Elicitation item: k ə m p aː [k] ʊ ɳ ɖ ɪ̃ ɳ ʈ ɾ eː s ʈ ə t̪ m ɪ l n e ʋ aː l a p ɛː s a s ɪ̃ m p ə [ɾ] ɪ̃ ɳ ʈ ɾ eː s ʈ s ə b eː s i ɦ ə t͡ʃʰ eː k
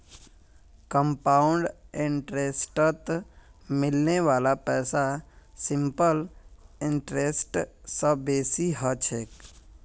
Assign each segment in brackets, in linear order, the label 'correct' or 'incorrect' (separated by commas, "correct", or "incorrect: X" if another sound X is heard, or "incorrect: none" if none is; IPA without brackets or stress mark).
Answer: incorrect: none, incorrect: l